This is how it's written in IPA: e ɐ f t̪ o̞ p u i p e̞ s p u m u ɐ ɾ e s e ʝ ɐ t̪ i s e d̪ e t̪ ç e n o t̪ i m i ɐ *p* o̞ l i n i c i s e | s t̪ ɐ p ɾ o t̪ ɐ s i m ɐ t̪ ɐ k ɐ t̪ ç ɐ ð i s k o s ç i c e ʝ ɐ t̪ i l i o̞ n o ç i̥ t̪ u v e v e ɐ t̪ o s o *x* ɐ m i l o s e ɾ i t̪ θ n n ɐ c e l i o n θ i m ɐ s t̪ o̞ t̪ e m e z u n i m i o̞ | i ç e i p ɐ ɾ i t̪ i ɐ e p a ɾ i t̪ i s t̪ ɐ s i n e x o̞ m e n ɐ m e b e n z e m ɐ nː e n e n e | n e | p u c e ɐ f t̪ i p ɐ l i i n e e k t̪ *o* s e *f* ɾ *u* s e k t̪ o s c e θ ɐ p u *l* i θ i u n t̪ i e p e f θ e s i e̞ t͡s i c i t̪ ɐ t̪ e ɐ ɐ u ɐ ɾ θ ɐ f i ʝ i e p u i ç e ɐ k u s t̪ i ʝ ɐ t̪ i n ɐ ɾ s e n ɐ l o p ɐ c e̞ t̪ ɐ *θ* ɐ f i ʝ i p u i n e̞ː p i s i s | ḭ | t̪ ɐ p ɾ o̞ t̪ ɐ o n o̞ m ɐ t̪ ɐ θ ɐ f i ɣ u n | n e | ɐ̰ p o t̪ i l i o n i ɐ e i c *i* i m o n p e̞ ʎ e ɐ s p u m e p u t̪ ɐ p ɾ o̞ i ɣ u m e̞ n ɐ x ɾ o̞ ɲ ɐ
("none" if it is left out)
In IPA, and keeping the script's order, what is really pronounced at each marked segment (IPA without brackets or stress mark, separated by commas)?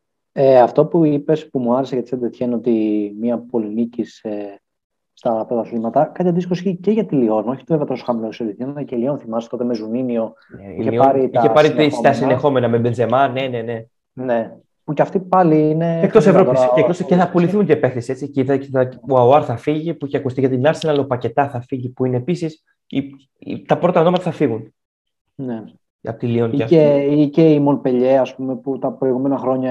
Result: p, x, o, v, o, l, θ, e